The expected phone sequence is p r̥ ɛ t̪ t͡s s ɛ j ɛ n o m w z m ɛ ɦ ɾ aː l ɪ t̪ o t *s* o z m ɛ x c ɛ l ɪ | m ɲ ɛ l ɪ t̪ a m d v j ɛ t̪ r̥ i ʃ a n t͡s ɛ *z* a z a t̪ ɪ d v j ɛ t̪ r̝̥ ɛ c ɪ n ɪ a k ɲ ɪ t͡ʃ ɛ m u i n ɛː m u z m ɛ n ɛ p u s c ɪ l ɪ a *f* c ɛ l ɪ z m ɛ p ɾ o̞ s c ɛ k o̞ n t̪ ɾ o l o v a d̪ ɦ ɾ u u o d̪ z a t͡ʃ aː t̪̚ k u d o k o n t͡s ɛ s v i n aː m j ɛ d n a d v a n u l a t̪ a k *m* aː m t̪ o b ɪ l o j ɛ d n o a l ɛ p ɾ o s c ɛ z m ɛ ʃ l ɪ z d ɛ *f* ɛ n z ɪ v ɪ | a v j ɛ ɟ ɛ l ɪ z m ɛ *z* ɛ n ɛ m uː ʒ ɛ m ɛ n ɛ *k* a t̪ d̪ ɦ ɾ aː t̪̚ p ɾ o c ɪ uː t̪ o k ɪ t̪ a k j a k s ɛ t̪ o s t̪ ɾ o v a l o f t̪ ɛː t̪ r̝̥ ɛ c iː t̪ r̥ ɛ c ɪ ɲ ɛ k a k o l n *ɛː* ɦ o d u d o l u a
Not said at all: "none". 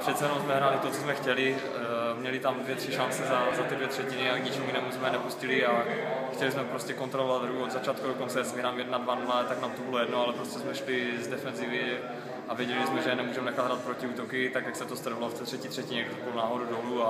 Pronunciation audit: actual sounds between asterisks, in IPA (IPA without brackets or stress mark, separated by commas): t͡s, z, x, n, f, ʒ, x, aː